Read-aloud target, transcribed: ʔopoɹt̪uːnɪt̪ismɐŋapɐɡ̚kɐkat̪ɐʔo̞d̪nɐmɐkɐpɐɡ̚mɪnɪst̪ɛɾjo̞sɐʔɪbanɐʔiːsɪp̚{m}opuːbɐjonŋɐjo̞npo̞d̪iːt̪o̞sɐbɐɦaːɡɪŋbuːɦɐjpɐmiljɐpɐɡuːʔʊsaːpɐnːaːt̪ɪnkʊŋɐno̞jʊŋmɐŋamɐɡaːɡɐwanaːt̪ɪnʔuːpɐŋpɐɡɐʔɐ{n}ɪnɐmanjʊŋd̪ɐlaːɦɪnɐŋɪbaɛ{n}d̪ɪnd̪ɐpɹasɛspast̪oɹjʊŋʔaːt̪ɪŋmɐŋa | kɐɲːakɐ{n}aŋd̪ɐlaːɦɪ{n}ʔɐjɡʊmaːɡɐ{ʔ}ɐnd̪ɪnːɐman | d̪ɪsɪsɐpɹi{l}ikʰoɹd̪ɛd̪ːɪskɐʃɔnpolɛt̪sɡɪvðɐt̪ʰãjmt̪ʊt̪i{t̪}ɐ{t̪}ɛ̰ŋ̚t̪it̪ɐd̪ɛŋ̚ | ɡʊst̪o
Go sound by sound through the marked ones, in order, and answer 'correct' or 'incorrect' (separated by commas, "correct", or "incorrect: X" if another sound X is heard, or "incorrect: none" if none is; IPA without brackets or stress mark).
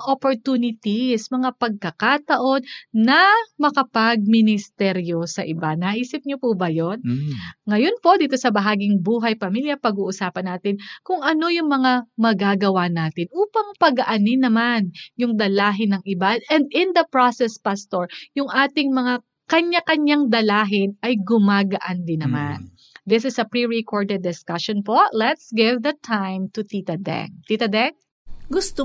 incorrect: ɲ, correct, correct, incorrect: ɲ, correct, correct, incorrect: ɹ, correct, incorrect: d̪